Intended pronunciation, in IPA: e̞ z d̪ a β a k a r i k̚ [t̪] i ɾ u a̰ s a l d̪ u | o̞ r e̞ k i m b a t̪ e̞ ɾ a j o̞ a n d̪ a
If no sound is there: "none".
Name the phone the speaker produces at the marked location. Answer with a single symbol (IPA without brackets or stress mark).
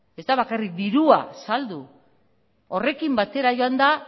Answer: d̪